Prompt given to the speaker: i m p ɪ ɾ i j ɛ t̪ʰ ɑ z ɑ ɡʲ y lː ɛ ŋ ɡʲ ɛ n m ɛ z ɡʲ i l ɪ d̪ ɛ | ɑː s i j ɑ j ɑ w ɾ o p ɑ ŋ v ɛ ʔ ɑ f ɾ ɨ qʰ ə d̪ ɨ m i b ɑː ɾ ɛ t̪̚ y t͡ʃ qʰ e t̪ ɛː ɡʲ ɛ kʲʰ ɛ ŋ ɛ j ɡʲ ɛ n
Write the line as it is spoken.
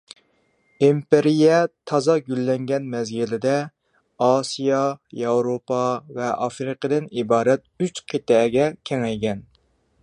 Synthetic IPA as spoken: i m p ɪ ɾ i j ɛ t̪ʰ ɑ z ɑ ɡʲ y lː ɛ ŋ ɡʲ ɛ n m ɛ z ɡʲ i l ɪ d̪ ɛ | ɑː s i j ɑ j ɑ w ɾ o p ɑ v ɛ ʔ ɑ f ɾ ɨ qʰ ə d̪ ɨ n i b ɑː ɾ ɛ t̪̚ y t͡ʃ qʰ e t̪ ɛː ɡʲ ɛ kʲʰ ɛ ŋ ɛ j ɡʲ ɛ n

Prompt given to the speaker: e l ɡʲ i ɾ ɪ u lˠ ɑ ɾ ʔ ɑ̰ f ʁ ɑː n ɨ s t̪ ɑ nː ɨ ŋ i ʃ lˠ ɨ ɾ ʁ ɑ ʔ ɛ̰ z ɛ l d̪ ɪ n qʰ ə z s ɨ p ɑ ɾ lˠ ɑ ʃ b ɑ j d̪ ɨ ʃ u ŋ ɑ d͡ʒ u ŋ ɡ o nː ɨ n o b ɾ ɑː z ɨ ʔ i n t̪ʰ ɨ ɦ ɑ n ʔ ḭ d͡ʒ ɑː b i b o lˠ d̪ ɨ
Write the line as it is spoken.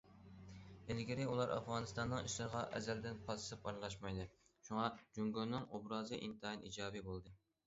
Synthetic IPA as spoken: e l ɡʲ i ɾ ɪ u lˠ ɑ ɾ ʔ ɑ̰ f ʁ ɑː n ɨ s t̪ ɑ nː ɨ ŋ i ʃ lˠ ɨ ɾ ʁ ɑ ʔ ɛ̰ z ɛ l d̪ ɪ n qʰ ɑ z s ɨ p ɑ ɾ lˠ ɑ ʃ m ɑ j d̪ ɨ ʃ u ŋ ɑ d͡ʒ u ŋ ɡ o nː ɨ ŋ o b ɾ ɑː z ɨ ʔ i n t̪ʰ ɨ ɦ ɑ n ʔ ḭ d͡ʒ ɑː b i b o lˠ d̪ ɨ

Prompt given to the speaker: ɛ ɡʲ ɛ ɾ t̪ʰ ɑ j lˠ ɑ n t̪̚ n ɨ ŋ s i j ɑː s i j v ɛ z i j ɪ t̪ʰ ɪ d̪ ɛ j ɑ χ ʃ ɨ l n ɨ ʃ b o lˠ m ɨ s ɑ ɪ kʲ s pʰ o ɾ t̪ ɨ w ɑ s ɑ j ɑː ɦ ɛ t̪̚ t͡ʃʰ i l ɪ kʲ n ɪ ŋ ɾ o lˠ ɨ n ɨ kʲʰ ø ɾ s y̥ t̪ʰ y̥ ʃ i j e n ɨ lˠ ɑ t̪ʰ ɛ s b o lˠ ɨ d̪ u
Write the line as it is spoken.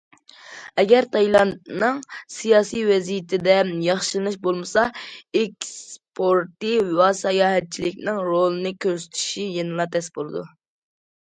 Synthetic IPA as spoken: ɛ ɡʲ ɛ ɾ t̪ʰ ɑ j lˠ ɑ n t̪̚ n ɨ ŋ s i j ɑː s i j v ɛ z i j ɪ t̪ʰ ɪ d̪ ɛ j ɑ χ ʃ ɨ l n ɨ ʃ b o lˠ m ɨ s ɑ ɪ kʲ s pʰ o ɾ t̪ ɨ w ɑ s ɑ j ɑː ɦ ɛ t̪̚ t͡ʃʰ i l ɪ kʲ n ɪ ŋ ɾ o lˠ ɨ n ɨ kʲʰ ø ɾ s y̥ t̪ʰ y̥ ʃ i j e n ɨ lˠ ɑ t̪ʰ ɛ s b o lˠ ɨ d̪ u

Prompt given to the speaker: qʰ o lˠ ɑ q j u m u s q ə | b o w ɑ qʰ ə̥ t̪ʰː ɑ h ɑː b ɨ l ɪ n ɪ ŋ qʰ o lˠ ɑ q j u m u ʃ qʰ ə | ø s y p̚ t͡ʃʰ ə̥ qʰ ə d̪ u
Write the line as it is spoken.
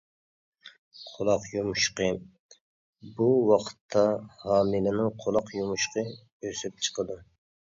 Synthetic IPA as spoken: qʰ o lˠ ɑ q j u m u ʃ q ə | b u w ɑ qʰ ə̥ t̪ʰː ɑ h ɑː m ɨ l ɪ n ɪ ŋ qʰ o lˠ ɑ q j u m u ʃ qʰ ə | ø s y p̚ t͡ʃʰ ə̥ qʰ ə d̪ u

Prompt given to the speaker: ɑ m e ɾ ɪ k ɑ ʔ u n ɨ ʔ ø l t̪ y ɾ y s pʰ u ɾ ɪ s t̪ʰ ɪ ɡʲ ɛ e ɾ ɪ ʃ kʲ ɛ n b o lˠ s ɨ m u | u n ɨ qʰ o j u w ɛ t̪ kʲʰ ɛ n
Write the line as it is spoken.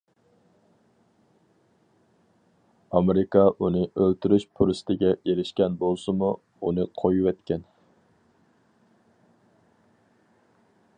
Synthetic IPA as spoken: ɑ m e ɾ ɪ k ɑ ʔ u n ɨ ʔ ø l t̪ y ɾ y ʃ pʰ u ɾ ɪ s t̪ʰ ɪ ɡʲ ɛ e ɾ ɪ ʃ kʲ ɛ n b o lˠ s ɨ m u | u n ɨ qʰ o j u w ɛ t̪ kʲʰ ɛ n

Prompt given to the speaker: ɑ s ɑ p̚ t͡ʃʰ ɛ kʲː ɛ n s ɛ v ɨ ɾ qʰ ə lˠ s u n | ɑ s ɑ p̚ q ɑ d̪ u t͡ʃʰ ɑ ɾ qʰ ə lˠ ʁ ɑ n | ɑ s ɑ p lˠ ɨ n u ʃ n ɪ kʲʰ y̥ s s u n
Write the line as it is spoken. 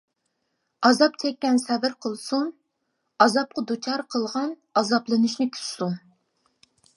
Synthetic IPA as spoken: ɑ z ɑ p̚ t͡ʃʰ ɛ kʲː ɛ n s ɛ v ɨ ɾ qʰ ə lˠ s u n | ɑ z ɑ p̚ q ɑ d̪ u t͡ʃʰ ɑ ɾ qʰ ə lˠ ʁ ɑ n | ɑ z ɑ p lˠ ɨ n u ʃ n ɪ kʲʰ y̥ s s u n

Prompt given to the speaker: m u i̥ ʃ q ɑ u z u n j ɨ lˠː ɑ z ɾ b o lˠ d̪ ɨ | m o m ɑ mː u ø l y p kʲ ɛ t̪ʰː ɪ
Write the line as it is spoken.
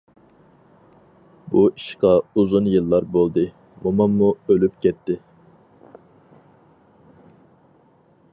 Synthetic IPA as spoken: b u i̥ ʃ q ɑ u z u n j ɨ lˠː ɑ ɾ b o lˠ d̪ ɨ | m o m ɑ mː u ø l y p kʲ ɛ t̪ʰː ɪ

